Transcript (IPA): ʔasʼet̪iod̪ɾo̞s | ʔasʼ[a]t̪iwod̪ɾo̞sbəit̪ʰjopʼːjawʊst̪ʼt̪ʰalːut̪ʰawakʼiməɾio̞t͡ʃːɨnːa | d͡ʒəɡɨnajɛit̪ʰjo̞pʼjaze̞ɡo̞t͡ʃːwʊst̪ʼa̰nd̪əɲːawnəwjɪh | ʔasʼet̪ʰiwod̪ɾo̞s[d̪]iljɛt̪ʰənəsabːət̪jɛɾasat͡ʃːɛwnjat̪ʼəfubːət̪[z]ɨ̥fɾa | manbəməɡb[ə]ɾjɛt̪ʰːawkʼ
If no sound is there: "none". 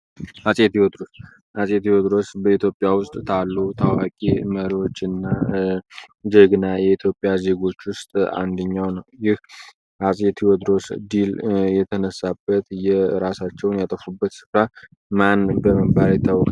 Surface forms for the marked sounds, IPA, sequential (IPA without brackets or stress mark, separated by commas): e, d̪, s, a